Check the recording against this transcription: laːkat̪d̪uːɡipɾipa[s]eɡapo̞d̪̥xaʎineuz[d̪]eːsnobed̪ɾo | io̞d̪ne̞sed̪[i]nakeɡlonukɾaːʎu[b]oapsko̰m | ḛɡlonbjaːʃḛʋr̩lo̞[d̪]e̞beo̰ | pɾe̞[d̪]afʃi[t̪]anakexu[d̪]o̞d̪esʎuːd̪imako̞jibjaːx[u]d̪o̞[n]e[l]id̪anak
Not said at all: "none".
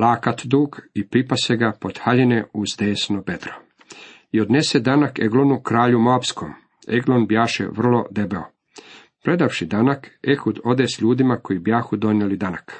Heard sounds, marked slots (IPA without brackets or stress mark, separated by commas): s, d̪, a, m, d̪, d̪, d̪, d̪, u, n, l